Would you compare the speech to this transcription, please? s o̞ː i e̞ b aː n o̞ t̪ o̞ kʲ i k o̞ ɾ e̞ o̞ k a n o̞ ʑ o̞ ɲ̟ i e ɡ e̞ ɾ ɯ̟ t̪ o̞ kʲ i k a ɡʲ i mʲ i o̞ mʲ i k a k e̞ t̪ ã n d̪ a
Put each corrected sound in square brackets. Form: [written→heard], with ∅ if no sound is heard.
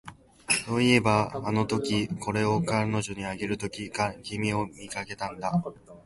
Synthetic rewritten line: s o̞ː i e̞ b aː n o̞ t̪ o̞ kʲ i k o̞ ɾ e̞ o̞ k a n o̞ ʑ o̞ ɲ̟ i [e→a] ɡ e̞ ɾ ɯ̟ t̪ o̞ kʲ i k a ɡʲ i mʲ i o̞ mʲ i k a k e̞ t̪ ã n d̪ a